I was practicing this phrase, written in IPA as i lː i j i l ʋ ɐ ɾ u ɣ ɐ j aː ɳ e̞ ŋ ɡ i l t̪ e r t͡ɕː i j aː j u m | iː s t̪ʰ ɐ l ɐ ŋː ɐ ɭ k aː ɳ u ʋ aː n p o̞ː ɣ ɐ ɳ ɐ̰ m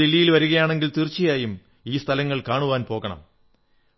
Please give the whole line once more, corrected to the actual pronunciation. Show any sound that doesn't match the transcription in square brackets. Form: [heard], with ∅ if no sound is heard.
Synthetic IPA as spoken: i lː i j i l ʋ ɐ ɾ u ɣ ɐ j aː ɳ e̞ ŋ ɡ i l t̪ [i] r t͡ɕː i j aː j u m | iː s t̪ʰ ɐ l ɐ ŋː ɐ ɭ k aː ɳ u ʋ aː n p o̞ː ɣ ɐ ɳ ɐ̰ m

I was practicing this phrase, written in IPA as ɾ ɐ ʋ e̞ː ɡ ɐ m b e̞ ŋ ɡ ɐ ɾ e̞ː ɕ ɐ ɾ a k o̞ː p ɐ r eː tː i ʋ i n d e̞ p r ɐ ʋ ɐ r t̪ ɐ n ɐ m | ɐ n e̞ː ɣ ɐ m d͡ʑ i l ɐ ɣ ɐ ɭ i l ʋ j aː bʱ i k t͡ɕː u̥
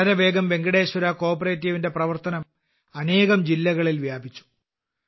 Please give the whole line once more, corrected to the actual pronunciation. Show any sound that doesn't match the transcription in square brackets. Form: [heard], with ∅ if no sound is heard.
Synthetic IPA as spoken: ɾ ɐ ʋ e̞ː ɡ ɐ m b e̞ ŋ ɡ ɐ [ɽ] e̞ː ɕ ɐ ɾ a k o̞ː p ɐ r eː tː i ʋ i n d e̞ p r ɐ ʋ ɐ r t̪ ɐ n ɐ m | ɐ n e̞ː ɣ ɐ m d͡ʑ i [lː] ɐ ɣ ɐ ɭ i l ʋ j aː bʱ i [∅] t͡ɕː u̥

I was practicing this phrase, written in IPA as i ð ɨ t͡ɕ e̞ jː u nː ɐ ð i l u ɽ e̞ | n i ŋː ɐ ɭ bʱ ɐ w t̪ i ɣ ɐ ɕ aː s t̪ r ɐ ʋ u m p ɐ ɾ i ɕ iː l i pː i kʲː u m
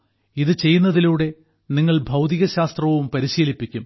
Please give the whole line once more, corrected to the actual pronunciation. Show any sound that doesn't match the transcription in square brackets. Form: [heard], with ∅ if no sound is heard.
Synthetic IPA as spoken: i ð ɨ t͡ɕ e̞ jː u nː ɐ ð i l [uː] ɽ e̞ | n i ŋː ɐ ɭ bʱ ɐ w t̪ i ɣ ɐ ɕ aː s t̪ r ɐ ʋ u m p ɐ ɾ i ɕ iː l i pː i kʲː u m

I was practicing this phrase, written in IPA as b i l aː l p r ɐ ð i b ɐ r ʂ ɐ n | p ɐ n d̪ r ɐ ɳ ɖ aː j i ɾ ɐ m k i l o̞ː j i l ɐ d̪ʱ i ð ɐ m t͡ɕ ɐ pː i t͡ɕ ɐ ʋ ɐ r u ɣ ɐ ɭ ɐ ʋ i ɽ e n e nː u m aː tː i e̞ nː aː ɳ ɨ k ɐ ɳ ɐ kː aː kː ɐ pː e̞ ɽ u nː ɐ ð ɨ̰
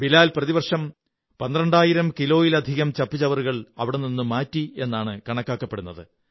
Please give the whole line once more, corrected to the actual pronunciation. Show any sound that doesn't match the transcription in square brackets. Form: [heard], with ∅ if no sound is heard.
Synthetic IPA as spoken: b i l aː l p r ɐ ð i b ɐ r ʂ ɐ [m] | p ɐ n d̪ r ɐ ɳ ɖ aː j i ɾ ɐ m k i l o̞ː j i l ɐ d̪ʱ i [ɣ] ɐ m t͡ɕ ɐ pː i t͡ɕ ɐ ʋ ɐ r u ɣ ɐ ɭ ɐ ʋ i ɽ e n [i] nː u m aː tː i e̞ nː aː ɳ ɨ k ɐ ɳ ɐ kː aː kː ɐ pː e̞ ɽ u nː ɐ ð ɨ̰

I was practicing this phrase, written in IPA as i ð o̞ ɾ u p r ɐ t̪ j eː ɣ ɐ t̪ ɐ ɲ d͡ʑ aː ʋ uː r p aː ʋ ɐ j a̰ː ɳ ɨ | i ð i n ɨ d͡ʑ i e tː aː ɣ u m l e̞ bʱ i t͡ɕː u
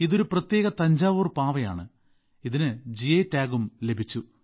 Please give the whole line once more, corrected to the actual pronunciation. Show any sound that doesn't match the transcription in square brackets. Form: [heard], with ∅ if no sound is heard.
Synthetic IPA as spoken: i ð o̞ ɾ u p r ɐ t̪ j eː ɣ ɐ t̪ ɐ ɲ d͡ʑ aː ʋ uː r p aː ʋ ɐ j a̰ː ɳ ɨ | i ð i n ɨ d͡ʑ i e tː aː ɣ u m l e̞ bʱ i t͡ɕː u

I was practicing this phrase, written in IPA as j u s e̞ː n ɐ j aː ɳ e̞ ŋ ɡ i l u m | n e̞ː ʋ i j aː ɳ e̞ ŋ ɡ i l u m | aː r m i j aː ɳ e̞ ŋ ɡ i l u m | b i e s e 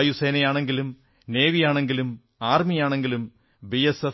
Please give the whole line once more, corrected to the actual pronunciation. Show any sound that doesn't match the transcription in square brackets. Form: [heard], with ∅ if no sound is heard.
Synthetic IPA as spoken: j u s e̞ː n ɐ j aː ɳ e̞ ŋ ɡ i l u m | n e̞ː ʋ i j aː ɳ e̞ ŋ ɡ i l u m | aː r m i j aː ɳ e̞ ŋ ɡ i l u m | b i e s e

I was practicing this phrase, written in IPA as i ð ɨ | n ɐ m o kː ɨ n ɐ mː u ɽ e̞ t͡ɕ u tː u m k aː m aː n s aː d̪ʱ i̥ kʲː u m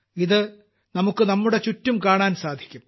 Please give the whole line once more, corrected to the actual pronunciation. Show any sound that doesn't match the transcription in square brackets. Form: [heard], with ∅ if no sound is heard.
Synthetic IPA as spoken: i ð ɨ | n ɐ m [u] kː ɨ n ɐ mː u ɽ e̞ t͡ɕ u tː u m k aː [ɳ] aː n s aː d̪ʱ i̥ kʲː u m

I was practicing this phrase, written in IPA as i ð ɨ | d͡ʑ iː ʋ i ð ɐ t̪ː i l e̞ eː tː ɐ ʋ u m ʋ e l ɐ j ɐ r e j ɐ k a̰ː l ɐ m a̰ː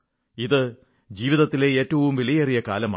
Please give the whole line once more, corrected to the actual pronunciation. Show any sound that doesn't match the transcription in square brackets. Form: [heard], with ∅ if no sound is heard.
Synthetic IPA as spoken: i ð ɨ | d͡ʑ iː ʋ i ð ɐ t̪ː i l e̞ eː tː ɐ ʋ u m ʋ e l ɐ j ɐ r [i] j ɐ k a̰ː l ɐ m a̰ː

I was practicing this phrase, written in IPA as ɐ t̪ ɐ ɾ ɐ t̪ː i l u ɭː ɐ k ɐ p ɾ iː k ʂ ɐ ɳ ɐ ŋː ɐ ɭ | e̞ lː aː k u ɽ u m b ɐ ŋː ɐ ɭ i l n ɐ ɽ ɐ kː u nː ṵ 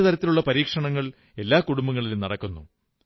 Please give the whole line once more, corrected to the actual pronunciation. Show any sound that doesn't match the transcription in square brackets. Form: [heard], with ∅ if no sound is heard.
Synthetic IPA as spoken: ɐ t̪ ɐ ɾ ɐ t̪ː i l u ɭː ɐ [p] ɐ [∅] ɾ iː k ʂ ɐ ɳ ɐ ŋː ɐ ɭ | e̞ lː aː k u ɽ u m b ɐ ŋː ɐ ɭ i l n ɐ ɽ ɐ kː u nː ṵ

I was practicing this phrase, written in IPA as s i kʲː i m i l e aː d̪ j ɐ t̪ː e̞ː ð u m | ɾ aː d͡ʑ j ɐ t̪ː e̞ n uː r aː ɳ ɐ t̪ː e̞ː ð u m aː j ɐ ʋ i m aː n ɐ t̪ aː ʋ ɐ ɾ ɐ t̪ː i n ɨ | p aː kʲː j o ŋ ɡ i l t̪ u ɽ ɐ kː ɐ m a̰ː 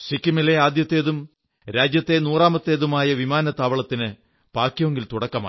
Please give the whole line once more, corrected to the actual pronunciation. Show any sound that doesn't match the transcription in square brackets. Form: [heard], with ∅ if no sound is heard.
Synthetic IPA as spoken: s i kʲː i m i l e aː d̪ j ɐ t̪ː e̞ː ð u m | ɾ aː d͡ʑ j ɐ t̪ː e̞ n uː r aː [m] ɐ t̪ː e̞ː ð u m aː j ɐ ʋ i m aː n ɐ t̪ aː ʋ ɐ [ɭ] ɐ t̪ː i n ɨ | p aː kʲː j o ŋ ɡ i l t̪ u ɽ ɐ kː ɐ m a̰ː

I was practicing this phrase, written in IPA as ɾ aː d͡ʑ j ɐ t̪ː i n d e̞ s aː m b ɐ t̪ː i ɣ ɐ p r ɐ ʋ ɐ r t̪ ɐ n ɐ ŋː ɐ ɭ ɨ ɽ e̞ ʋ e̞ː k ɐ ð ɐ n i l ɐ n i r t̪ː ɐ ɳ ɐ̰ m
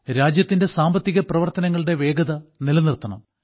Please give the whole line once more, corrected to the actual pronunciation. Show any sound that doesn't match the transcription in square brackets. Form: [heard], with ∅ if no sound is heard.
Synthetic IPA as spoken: ɾ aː d͡ʑ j ɐ t̪ː i n d e̞ s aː m b ɐ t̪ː i ɣ ɐ p r ɐ ʋ ɐ r t̪ ɐ n ɐ ŋː ɐ ɭ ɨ ɽ e̞ ʋ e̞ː [ɡ] ɐ ð ɐ n i l ɐ n i r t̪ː ɐ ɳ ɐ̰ m

